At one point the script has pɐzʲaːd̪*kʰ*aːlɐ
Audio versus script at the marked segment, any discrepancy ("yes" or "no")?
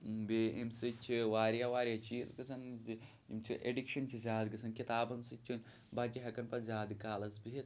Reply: yes